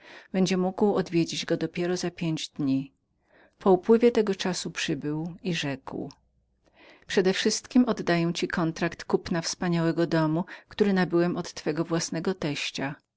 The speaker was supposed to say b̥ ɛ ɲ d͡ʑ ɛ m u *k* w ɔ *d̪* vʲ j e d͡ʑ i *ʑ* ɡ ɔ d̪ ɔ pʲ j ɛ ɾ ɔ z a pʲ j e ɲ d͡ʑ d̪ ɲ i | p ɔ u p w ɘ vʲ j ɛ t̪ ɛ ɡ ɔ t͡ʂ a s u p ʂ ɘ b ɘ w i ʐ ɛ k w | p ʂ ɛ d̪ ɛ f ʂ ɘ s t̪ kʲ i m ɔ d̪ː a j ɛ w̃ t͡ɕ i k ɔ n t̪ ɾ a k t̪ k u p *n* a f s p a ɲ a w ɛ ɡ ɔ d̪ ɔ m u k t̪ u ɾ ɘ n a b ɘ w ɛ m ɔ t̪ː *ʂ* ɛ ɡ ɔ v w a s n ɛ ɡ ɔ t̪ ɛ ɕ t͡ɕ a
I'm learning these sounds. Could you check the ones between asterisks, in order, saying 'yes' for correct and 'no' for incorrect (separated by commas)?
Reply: no, yes, no, yes, no